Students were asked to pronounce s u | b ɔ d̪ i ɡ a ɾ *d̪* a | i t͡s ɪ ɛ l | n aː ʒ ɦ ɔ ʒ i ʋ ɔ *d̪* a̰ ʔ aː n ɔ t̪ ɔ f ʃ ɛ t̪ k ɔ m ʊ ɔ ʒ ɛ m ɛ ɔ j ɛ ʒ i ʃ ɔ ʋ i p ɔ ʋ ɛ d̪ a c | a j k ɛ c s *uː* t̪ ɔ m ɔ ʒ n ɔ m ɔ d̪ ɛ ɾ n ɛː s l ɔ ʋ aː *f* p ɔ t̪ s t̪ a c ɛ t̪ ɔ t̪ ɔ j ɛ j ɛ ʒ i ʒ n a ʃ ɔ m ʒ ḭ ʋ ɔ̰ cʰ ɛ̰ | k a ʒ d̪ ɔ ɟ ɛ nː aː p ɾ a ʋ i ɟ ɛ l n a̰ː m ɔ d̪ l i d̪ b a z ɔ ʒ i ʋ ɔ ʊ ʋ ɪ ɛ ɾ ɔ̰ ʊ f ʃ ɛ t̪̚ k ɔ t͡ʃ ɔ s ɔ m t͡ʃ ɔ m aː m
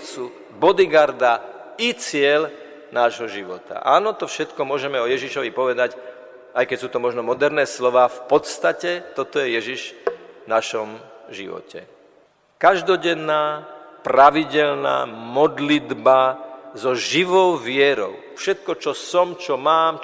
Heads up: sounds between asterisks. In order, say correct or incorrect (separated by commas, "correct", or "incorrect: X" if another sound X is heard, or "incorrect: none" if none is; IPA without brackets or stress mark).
correct, incorrect: t̪, correct, correct